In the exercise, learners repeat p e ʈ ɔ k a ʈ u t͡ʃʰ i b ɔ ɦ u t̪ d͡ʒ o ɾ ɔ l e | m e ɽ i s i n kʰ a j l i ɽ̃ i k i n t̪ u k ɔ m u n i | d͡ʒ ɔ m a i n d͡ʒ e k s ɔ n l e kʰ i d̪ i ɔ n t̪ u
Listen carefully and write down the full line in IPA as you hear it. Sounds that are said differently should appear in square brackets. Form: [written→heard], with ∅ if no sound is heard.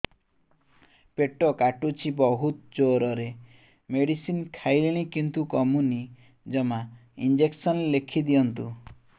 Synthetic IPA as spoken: p e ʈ ɔ k a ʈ u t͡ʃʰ i b ɔ ɦ u t̪ d͡ʒ o ɾ ɔ [l→ɾ] e | m e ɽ i s i n kʰ a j l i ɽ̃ i k i n t̪ u k ɔ m u n i | d͡ʒ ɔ m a i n d͡ʒ e k s ɔ n l e kʰ i d̪ i ɔ n t̪ u

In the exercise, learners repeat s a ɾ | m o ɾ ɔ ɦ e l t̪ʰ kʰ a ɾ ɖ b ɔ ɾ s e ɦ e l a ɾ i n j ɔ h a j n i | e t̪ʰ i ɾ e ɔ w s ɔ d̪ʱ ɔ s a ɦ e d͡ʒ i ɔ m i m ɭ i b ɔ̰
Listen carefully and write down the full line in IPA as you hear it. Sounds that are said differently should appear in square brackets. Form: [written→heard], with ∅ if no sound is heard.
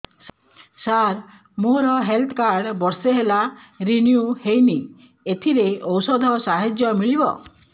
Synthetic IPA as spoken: s a ɾ | m o ɾ ɔ ɦ e l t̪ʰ [kʰ→k] a ɾ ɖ b ɔ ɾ s e ɦ e l a ɾ i n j [ɔ→u] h [a→e] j n i | e t̪ʰ i ɾ e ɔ w s ɔ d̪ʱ ɔ s a ɦ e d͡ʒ [i→j] ɔ m i [m→∅] ɭ i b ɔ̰

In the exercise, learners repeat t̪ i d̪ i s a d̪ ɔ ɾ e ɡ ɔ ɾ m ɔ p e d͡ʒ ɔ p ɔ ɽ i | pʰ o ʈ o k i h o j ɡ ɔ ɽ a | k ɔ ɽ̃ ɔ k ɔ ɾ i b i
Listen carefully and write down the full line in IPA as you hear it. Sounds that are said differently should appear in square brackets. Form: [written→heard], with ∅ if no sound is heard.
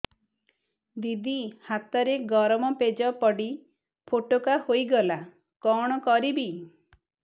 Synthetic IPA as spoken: [t̪→d̪] i d̪ i [s→h] a [d̪→t̪] ɔ ɾ e ɡ ɔ ɾ m ɔ p e d͡ʒ ɔ p ɔ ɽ i | pʰ o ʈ o k [i→a] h o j ɡ ɔ [ɽ→l] a | k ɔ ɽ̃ ɔ k ɔ ɾ i b i

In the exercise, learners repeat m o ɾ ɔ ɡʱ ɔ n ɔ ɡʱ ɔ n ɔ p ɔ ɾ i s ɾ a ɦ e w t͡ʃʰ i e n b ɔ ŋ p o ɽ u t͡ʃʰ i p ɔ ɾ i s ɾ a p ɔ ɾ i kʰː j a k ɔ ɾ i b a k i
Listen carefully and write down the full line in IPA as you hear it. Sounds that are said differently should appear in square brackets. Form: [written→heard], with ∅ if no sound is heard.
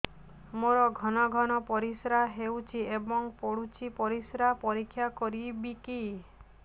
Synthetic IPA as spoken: m o ɾ ɔ ɡʱ ɔ n ɔ ɡʱ ɔ n ɔ p ɔ ɾ i s ɾ a ɦ e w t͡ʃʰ i e [n→∅] b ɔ ŋ p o ɽ u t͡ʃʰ i p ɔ ɾ i s ɾ a p ɔ ɾ i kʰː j a k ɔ ɾ i b [a→i] k i

